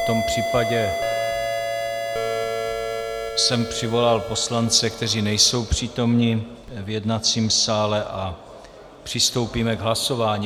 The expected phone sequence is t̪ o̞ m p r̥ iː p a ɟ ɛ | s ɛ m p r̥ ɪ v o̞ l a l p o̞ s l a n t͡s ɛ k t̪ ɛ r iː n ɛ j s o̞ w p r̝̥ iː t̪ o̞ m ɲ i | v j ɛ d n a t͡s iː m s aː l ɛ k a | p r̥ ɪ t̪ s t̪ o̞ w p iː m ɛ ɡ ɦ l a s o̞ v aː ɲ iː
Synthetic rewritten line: t̪ o̞ m p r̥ iː p a ɟ ɛ | s ɛ m p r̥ ɪ v o̞ l a l p o̞ s l a n t͡s ɛ k t̪ ɛ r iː n ɛ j s o̞ w p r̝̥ iː t̪ o̞ m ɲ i | v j ɛ d n a t͡s iː m s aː l ɛ ʔ a | p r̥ ɪ s t̪ o̞ w p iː m ɛ ɡ ɦ l a s o̞ v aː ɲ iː

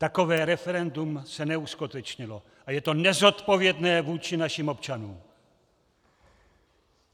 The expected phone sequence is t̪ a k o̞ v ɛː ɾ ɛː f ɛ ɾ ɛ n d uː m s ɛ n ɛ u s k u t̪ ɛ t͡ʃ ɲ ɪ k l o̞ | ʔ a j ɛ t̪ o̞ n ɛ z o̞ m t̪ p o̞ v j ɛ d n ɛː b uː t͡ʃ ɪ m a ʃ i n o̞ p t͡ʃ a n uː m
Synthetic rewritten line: t̪ a k o̞ v ɛː ɾ ɛ f ɛ ɾ ɛ n d u m s ɛ n ɛ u s k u t̪ ɛ t͡ʃ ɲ ɪ l o̞ | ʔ a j ɛ t̪ o̞ n ɛ z o̞ t̪ p o̞ v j ɛ d n ɛː v uː t͡ʃ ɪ n a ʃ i m o̞ p t͡ʃ a n uː m

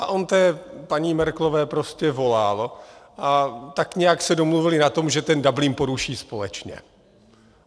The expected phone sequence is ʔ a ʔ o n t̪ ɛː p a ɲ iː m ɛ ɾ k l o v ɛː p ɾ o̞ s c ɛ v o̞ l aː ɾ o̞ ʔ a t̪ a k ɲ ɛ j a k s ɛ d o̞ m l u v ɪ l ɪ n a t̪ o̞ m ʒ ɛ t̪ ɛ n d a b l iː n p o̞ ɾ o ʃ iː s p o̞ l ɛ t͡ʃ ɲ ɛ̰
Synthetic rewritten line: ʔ a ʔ o n t̪ ɛː p a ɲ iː m ɛ ɾ k l o v ɛː p ɾ o̞ s c ɛ v o̞ l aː l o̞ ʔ a t̪ a k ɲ ɛ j a k s ɛ d o̞ m l u v ɪ l ɪ n a t̪ o̞ m ʒ ɛ t̪ ɛ n d a b l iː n p o̞ ɾ u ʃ iː s p o̞ l ɛ t͡ʃ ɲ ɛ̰

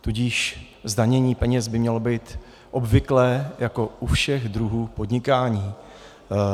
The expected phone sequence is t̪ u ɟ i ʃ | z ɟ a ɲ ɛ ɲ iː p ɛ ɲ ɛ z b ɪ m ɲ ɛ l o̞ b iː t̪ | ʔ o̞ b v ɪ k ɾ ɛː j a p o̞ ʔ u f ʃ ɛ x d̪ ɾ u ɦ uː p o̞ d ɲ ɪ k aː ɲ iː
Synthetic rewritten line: t̪ u ɟ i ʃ | z d a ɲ ɛ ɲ iː p ɛ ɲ ɛ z b ɪ m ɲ ɛ l o̞ b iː t̪ | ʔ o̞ b v ɪ k l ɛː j a k o̞ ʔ u f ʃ ɛ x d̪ ɾ u ɦ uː p o̞ d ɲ ɪ k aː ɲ iː

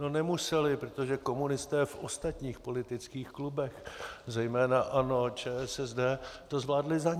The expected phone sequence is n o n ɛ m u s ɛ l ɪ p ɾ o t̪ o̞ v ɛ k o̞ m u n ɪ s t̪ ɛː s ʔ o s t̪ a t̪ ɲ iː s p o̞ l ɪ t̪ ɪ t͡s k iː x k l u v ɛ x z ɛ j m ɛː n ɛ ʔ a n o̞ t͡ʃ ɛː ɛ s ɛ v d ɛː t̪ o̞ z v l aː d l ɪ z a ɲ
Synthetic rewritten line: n o n ɛ m u s ɛ l ɪ p ɾ o t̪ o̞ ʒ ɛ k o̞ m u n ɪ s t̪ ɛː f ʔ o s t̪ a t̪ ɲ iː x p o̞ l ɪ t̪ ɪ t͡s k iː x k l u b ɛ x z ɛ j m ɛː n a ʔ a n o̞ t͡ʃ ɛː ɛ s ɛ z d ɛː t̪ o̞ z v l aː d l ɪ z a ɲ

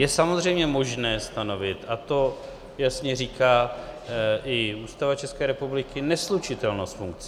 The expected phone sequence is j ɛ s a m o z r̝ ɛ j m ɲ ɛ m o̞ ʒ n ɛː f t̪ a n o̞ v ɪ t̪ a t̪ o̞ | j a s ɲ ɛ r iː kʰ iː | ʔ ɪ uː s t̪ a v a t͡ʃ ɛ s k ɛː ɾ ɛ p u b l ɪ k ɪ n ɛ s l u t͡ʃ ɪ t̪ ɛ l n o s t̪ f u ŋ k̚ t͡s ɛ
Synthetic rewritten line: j ɛ s a m o z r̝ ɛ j m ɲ ɛ m o̞ ʒ n ɛː s t̪ a n o̞ v ɪ t̪ a t̪ o̞ | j a s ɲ ɛ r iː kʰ aː | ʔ ɪ uː s t̪ a v a t͡ʃ ɛ s k ɛː ɾ ɛ p u b l ɪ k ɪ n ɛ s l u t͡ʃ ɪ t̪ ɛ l n o s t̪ f u ŋ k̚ t͡s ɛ

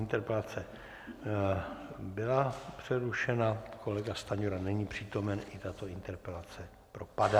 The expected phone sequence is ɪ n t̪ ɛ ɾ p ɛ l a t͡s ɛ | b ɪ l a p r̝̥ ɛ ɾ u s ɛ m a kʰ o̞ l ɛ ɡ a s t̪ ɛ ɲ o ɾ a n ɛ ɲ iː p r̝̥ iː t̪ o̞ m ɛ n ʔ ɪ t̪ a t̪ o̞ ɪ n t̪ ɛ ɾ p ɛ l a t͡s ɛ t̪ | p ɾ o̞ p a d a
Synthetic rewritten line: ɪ n t̪ ɛ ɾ p ɛ l a t͡s ɛ | b ɪ l a p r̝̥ ɛ ɾ u ʃ ɛ n a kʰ o̞ l ɛ ɡ a s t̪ a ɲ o ɾ a n ɛ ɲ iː p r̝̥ iː t̪ o̞ m ɛ n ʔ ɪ t̪ a t̪ o̞ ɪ n t̪ ɛ ɾ p ɛ l a t͡s ɛ | p ɾ o̞ p a d a

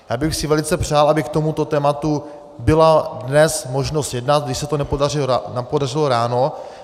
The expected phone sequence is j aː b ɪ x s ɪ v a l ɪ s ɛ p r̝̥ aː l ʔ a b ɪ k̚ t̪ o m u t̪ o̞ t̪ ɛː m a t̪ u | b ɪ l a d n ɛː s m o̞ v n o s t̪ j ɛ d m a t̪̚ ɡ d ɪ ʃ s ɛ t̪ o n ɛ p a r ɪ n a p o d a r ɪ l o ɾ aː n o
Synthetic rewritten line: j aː b ɪ x s ɪ v ɛ l ɪ t͡s ɛ p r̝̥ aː l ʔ a b ɪ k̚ t̪ o m u t̪ o̞ t̪ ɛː m a t̪ u | b ɪ l a d n ɛ s m o̞ ʒ n o s t̪ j ɛ d n a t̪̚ ɡ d ɪ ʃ s ɛ t̪ o n ɛ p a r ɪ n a p o d a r ɪ l o ɾ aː n o

